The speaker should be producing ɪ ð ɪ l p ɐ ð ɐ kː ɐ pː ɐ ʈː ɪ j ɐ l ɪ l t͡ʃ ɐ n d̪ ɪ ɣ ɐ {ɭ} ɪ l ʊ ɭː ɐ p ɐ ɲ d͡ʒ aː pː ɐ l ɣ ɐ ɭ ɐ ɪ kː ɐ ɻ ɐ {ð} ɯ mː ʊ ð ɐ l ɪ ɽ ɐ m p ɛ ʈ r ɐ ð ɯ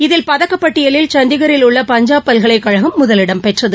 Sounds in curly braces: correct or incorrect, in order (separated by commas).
incorrect, incorrect